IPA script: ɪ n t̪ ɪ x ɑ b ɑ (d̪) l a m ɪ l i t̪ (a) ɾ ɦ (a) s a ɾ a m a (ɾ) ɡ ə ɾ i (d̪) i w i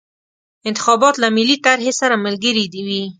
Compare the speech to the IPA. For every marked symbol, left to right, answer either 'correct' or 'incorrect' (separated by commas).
incorrect, correct, incorrect, incorrect, correct